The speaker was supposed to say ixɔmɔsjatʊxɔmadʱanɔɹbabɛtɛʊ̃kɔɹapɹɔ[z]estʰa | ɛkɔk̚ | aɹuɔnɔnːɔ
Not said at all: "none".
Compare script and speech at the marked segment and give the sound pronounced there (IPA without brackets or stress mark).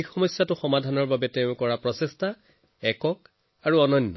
s